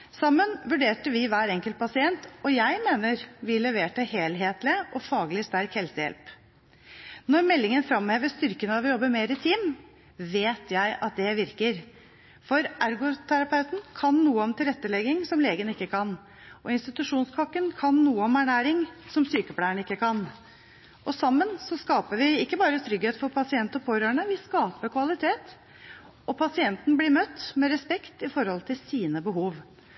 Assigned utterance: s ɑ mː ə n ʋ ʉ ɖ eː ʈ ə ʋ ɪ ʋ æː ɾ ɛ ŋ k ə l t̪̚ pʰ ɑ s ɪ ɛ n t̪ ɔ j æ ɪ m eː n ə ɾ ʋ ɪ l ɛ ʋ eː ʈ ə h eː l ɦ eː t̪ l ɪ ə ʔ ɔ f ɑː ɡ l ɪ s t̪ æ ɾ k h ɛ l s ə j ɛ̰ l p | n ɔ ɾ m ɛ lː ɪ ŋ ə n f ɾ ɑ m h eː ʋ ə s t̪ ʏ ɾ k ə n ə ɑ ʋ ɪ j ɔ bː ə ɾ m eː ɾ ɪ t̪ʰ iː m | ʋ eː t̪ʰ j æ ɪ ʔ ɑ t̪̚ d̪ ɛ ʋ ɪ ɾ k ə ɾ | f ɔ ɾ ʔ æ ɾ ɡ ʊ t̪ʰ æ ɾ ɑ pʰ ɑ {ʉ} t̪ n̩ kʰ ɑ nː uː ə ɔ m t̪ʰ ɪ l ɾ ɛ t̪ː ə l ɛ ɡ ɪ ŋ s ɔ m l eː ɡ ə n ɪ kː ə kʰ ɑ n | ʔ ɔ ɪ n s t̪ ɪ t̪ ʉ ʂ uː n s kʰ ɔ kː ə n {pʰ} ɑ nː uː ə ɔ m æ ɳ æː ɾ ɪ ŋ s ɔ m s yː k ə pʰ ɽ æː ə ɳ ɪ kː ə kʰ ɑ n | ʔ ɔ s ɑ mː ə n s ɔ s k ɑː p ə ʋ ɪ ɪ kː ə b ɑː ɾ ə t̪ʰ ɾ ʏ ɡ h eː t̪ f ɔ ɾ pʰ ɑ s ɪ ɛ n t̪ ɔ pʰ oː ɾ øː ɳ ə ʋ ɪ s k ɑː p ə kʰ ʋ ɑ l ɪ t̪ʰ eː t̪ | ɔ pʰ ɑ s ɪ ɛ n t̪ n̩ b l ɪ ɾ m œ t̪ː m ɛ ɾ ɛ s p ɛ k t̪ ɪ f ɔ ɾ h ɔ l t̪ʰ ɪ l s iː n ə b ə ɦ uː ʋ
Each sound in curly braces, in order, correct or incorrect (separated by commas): correct, incorrect